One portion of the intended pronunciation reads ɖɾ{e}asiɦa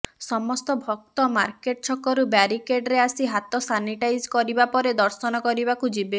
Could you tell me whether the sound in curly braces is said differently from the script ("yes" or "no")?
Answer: no